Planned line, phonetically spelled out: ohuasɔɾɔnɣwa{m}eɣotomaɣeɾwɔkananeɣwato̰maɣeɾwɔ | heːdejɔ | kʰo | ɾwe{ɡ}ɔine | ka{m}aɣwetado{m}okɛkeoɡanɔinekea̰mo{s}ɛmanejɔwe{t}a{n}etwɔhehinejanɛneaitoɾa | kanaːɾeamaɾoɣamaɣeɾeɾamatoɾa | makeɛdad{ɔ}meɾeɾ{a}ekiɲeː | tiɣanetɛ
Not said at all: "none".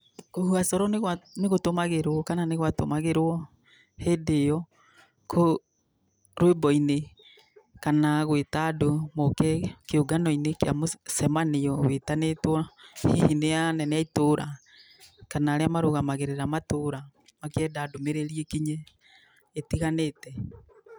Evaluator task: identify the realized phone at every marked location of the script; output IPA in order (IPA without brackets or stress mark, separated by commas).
n, b, n, m, s, t, n, o, i